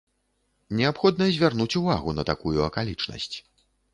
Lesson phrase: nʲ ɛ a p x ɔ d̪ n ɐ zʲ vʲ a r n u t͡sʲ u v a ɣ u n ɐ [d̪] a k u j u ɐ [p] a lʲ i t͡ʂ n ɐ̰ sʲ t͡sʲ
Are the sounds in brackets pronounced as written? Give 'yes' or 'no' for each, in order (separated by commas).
no, no